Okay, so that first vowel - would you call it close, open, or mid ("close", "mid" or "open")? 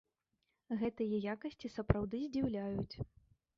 mid